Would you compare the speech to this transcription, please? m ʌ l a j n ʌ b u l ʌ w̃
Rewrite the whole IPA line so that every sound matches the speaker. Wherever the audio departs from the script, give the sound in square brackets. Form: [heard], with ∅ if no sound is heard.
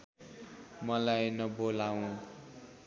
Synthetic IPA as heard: m ʌ l a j n ʌ b [o] l [a] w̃